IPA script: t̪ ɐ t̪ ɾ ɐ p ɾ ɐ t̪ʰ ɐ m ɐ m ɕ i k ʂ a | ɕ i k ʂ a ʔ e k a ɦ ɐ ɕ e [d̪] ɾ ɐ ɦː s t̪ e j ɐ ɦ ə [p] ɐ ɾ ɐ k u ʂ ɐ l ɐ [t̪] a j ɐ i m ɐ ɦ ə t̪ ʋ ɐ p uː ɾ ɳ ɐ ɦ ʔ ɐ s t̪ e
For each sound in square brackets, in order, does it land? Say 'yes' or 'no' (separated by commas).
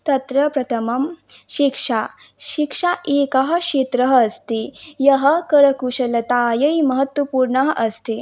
no, no, yes